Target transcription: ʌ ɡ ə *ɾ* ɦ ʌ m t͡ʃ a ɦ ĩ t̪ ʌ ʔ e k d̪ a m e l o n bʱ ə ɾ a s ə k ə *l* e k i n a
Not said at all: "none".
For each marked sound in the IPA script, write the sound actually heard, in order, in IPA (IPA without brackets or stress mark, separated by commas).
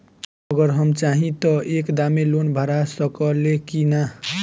ɾ, l